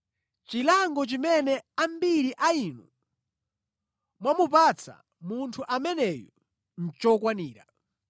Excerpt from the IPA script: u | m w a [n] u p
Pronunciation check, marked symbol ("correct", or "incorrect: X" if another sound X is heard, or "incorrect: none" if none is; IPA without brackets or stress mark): incorrect: m